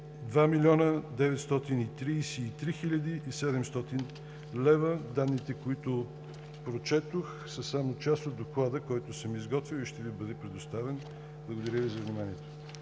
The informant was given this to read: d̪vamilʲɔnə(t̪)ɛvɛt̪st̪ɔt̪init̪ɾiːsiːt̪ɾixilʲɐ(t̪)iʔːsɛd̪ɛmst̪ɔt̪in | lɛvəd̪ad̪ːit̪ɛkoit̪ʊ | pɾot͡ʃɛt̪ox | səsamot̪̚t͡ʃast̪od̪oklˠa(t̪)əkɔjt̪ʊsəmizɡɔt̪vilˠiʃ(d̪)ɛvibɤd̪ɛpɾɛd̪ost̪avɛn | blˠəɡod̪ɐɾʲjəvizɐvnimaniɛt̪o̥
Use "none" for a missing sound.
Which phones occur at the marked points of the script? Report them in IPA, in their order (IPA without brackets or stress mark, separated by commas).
d̪, d̪, d̪, t̪